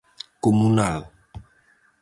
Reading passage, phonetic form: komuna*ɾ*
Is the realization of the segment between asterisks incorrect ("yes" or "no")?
yes